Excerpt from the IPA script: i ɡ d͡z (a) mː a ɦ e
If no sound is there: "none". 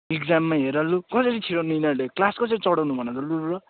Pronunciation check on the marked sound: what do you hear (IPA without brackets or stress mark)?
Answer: a